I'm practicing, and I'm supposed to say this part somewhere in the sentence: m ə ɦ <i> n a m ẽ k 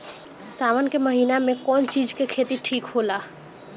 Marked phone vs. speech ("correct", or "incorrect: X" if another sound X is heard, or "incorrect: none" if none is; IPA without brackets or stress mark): incorrect: iː